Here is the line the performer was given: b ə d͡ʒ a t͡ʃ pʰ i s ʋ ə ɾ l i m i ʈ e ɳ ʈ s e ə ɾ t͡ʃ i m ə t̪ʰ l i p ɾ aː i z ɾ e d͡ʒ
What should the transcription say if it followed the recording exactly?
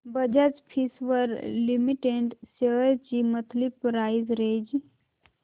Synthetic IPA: b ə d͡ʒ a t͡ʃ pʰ i s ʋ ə ɾ l i m i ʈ e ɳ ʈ s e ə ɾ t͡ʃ i m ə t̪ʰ l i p ɾ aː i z ɾ e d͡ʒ